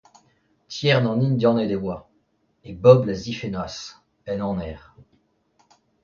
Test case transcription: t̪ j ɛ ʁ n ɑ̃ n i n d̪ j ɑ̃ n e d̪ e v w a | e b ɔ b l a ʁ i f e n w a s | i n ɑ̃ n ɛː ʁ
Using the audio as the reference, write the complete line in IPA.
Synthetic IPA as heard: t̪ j ɛ ʁ n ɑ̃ n i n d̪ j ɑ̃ n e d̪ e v w a | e b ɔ b l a z i f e n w a s | ɛ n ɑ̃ n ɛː ʁ